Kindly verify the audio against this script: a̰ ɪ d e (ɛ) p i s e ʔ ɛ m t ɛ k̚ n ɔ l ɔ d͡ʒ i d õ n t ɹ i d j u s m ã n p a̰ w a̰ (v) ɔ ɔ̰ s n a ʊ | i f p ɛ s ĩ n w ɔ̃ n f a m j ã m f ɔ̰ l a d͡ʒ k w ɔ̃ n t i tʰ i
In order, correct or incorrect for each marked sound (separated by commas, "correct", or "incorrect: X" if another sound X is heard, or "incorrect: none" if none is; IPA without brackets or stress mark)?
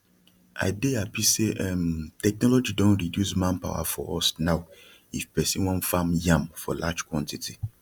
incorrect: a, incorrect: f